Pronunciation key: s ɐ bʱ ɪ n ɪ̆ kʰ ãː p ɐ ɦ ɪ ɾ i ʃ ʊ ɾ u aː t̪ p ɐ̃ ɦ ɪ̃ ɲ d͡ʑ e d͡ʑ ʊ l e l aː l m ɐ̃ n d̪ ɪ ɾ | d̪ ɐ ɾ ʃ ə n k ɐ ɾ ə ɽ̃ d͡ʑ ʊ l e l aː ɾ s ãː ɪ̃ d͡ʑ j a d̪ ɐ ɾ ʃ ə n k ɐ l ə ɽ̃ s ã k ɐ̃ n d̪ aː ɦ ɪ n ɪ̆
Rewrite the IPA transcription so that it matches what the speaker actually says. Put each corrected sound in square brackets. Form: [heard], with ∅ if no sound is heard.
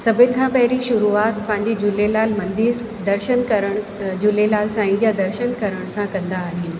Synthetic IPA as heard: s ɐ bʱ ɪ n ɪ̆ kʰ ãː p ɐ ɦ ɪ ɾ i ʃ ʊ ɾ u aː t̪ p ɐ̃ ɦ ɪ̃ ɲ d͡ʑ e d͡ʑ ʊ l e l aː l m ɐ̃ n d̪ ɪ ɾ | d̪ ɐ ɾ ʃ ə n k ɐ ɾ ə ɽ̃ d͡ʑ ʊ l e l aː [l] s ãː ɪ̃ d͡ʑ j a d̪ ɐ ɾ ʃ ə n k ɐ [ɾ] ə ɽ̃ s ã k ɐ̃ n d̪ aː ɦ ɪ n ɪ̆